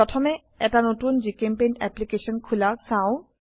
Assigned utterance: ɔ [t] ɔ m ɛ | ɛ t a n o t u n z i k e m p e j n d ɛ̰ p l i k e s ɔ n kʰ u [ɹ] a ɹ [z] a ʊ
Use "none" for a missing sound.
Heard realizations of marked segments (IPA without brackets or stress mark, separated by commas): tʰ, l, s